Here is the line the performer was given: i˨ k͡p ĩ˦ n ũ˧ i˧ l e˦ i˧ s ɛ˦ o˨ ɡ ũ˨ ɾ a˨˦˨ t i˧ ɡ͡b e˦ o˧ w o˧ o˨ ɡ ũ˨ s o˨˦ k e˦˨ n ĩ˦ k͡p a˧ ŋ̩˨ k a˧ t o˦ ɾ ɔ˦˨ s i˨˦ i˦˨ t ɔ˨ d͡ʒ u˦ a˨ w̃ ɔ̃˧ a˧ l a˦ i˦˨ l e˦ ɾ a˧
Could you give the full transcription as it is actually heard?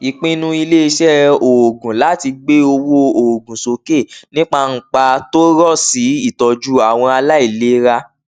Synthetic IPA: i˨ k͡p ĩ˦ n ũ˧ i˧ l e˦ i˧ ʃ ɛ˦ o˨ ɡ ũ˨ l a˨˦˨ t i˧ ɡ͡b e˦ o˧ w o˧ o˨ ɡ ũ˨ s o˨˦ k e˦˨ n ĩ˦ k͡p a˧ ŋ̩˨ k͡p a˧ t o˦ ɾ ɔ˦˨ s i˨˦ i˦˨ t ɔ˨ d͡ʒ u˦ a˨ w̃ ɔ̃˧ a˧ l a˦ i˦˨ l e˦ ɾ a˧